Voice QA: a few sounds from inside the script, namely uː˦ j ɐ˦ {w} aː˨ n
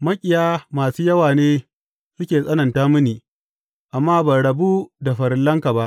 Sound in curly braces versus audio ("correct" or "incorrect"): correct